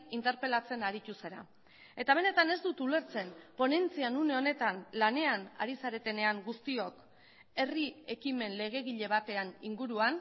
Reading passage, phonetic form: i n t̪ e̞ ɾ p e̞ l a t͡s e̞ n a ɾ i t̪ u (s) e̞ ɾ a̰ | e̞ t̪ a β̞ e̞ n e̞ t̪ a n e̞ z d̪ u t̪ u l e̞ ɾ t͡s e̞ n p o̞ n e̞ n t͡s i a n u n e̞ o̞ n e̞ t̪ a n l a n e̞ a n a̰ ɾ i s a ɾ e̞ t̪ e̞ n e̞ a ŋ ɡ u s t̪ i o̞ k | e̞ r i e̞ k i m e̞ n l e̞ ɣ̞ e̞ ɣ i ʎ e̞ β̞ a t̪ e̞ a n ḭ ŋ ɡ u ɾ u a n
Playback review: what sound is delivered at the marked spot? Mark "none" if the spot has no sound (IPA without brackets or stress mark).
s